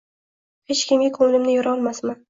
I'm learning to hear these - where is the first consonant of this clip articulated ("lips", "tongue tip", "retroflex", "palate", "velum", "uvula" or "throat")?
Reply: throat